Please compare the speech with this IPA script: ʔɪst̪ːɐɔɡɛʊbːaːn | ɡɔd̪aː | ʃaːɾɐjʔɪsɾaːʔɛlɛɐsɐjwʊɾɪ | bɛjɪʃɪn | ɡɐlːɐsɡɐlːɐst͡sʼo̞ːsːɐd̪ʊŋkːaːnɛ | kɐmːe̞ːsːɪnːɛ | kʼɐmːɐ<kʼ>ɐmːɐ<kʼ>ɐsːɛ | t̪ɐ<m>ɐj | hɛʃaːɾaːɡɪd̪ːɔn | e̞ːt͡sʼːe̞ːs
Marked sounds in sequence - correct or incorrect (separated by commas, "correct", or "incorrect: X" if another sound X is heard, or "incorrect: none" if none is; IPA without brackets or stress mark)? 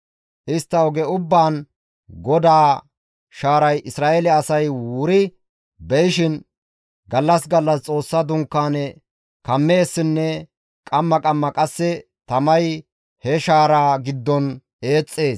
correct, correct, correct